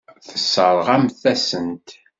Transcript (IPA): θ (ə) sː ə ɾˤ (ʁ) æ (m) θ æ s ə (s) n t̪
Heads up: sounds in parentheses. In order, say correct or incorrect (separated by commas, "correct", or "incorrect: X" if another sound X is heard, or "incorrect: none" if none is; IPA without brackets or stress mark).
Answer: correct, correct, correct, incorrect: none